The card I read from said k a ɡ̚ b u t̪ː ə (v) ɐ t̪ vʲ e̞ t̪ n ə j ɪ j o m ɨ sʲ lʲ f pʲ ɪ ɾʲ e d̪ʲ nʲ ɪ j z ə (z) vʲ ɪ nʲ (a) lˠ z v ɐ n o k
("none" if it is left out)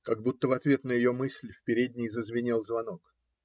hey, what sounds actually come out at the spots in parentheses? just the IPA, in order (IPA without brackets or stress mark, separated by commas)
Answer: v, z, i